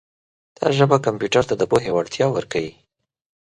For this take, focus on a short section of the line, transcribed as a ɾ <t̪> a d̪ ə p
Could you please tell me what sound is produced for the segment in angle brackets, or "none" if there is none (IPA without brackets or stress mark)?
t̪